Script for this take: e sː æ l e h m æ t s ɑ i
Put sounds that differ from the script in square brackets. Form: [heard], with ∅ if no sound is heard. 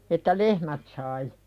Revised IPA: e [tː] æ l e h m æ t s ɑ i